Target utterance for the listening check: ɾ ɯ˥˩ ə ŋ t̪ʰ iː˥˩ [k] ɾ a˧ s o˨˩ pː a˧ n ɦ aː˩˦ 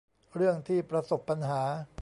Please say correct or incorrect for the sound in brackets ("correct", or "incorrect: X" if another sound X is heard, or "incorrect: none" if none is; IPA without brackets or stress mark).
incorrect: p